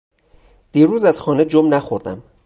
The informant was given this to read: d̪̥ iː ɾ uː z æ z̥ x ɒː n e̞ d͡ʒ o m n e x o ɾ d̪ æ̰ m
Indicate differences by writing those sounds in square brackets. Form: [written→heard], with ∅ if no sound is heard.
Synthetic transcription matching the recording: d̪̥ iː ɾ uː z æ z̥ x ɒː n e̞ d͡ʒ o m n [e→æ] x o ɾ d̪ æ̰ m